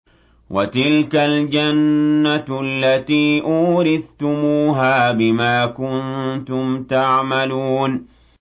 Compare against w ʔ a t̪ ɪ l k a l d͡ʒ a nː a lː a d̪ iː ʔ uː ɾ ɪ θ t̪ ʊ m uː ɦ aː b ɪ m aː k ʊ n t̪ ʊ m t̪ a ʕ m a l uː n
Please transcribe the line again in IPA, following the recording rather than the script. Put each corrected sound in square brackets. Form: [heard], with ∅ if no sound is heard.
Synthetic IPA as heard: w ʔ a t̪ ɪ l k a l d͡ʒ a nː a lː a [t̪] iː ʔ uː ɾ ɪ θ t̪ ʊ m uː ɦ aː b ɪ m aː k ʊ n t̪ ʊ m t̪ a ʕ m a l uː n